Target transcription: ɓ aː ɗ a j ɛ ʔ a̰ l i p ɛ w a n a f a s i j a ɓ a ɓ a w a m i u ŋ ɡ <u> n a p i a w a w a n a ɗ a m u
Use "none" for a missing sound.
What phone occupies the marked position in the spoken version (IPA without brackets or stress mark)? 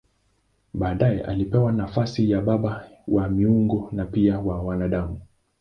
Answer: ɔ